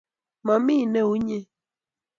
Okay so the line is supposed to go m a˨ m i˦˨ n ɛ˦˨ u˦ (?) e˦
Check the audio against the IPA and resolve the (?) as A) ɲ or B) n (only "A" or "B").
A